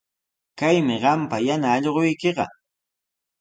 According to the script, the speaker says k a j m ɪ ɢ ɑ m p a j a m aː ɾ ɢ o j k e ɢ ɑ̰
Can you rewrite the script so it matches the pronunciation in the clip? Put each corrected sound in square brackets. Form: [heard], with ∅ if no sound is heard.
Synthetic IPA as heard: k a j m ɪ ɢ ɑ m p a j a [n] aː [ʎ] ɢ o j k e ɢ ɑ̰